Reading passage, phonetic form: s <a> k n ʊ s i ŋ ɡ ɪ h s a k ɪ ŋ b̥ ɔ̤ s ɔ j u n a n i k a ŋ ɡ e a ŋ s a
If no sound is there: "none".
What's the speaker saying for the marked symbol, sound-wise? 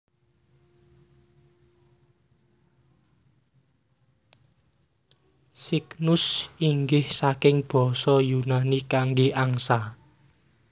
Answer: i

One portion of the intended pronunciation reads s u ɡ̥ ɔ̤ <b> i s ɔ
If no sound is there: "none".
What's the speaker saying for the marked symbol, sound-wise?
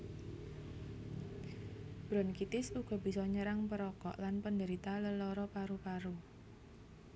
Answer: b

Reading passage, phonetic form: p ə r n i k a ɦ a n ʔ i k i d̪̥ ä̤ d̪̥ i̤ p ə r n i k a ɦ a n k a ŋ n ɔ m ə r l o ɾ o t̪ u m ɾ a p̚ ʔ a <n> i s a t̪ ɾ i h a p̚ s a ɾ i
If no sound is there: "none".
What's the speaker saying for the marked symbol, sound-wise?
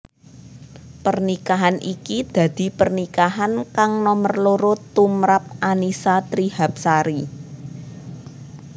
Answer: n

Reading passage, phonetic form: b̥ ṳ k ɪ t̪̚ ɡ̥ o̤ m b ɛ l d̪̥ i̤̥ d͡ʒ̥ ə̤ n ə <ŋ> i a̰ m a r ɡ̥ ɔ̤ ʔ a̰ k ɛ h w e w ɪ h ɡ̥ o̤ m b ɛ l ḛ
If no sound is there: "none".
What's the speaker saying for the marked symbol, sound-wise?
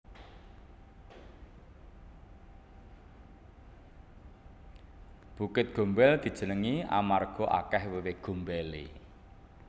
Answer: ŋ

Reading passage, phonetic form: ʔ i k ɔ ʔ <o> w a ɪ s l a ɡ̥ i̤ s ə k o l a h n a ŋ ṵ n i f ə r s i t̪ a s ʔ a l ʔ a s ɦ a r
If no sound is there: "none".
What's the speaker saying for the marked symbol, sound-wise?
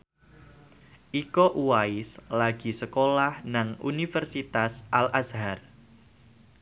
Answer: u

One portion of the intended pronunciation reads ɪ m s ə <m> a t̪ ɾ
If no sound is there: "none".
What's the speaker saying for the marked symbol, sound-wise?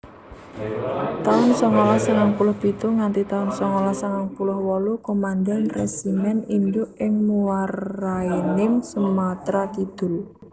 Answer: m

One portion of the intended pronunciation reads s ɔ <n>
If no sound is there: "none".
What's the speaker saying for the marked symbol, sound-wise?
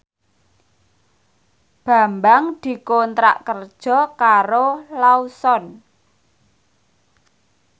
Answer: n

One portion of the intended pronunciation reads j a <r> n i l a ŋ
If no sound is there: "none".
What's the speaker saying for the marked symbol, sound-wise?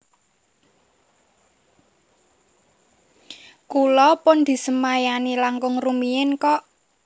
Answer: none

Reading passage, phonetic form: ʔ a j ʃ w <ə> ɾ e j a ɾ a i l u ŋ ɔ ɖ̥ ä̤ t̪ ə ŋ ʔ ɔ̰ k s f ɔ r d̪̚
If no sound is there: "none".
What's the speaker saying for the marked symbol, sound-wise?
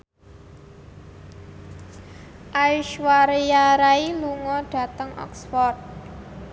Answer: a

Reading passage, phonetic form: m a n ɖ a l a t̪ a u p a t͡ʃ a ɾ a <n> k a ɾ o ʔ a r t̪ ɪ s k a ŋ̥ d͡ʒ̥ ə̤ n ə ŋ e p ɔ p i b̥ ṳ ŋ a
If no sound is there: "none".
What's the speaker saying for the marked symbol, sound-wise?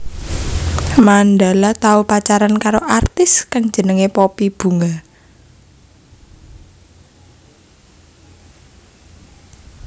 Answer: n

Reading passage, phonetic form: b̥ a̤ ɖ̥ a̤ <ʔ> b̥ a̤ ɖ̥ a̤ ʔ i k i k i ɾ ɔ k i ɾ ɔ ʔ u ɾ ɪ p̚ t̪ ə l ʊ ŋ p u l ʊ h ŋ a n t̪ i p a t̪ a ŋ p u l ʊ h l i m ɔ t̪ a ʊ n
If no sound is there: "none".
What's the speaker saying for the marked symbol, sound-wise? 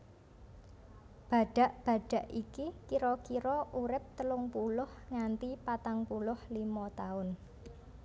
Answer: ʔ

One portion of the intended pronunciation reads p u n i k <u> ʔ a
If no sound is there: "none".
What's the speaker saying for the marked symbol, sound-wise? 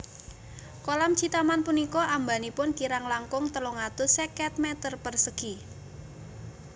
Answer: ɔ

